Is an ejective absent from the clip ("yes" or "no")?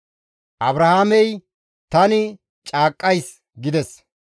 no